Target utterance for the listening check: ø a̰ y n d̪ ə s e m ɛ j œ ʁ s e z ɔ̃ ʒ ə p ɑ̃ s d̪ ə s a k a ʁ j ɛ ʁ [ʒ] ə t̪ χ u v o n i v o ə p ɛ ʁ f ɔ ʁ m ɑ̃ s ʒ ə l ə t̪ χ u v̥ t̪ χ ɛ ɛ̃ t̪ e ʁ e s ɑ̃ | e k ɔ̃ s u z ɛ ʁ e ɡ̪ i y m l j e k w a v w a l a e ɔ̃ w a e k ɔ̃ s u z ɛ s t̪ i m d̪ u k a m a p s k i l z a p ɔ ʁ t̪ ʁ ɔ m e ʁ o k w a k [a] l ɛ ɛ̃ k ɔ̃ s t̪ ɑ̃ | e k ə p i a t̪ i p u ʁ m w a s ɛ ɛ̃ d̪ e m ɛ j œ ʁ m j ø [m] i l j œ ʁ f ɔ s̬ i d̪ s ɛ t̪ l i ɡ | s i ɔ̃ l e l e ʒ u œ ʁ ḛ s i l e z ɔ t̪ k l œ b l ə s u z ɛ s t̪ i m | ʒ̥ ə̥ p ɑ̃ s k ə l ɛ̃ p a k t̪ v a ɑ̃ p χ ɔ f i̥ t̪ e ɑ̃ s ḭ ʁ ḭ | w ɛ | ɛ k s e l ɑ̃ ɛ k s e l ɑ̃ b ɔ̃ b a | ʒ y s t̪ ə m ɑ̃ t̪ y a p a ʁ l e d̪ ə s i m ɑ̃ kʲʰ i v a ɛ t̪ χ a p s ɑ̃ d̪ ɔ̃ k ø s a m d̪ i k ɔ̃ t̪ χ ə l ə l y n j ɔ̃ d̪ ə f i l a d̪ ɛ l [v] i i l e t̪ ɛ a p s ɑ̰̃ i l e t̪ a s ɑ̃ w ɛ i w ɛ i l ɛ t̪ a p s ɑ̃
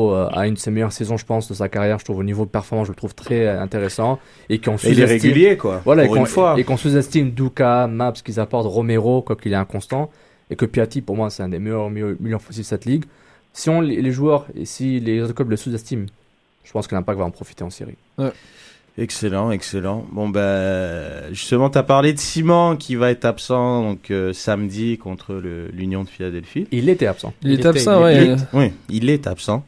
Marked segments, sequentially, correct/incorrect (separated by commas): correct, incorrect, correct, incorrect